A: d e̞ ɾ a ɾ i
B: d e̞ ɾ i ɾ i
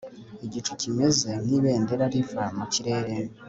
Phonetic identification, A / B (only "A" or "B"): A